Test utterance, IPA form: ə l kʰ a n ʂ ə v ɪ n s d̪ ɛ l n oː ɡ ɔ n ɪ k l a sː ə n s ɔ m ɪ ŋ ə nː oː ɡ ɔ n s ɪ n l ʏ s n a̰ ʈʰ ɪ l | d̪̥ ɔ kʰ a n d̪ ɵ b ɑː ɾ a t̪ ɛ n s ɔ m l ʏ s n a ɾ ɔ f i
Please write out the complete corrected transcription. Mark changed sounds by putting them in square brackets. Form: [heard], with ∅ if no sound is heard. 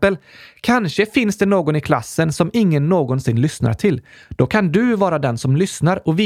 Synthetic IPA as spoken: ə l kʰ a n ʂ ə [f] ɪ n s d̪ ɛ [∅] n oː ɡ ɔ n ɪ [kʰ] l a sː ə n s ɔ m ɪ [ŋː] ə nː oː ɡ ɔ n s ɪ n l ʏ s n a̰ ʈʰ ɪ l | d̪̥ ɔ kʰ a n d̪ ɵ [v] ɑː ɾ a [d̪] ɛ n s ɔ m l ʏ s n a ɾ ɔ [v] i